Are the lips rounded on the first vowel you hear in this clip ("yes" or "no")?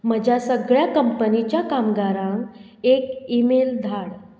no